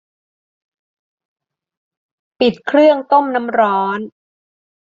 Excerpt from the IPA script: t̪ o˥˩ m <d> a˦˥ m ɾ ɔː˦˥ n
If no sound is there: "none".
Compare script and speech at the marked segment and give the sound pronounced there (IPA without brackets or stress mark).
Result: n